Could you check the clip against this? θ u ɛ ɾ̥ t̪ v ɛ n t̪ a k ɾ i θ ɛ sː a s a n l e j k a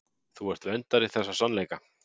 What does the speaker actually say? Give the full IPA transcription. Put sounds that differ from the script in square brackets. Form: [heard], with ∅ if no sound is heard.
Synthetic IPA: θ u ɛ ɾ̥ t̪ v ɛ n t̪ a [∅] ɾ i θ ɛ sː a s a n l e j k a